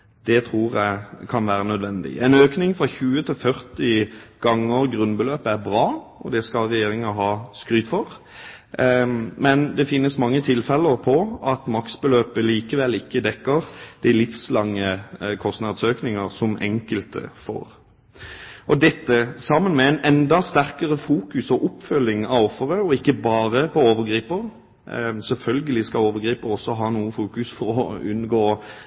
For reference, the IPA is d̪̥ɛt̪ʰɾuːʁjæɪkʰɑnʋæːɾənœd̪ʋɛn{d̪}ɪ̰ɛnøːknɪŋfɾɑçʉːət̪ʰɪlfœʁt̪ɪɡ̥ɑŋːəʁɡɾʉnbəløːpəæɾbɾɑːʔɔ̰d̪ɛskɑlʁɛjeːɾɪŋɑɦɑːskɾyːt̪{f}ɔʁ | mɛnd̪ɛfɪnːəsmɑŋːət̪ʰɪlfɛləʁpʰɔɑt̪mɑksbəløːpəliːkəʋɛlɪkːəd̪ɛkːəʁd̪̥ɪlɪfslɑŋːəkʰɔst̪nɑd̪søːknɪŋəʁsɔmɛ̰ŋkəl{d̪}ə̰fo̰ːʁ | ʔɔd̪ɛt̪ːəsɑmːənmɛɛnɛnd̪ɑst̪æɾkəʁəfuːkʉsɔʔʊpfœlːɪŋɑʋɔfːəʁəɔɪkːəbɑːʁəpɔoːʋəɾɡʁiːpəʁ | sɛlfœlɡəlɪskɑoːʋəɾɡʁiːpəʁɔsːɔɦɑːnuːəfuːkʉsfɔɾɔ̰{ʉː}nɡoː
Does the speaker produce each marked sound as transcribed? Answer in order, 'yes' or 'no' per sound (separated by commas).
yes, yes, no, no